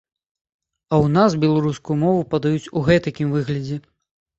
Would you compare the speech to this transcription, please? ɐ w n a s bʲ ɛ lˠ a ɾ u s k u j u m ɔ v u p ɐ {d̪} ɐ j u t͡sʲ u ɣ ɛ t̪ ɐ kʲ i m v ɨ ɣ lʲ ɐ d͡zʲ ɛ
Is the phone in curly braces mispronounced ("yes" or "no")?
no